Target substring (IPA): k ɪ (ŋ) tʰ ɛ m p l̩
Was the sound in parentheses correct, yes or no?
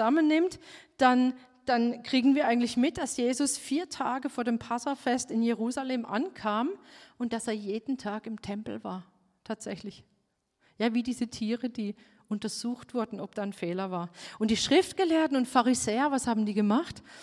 no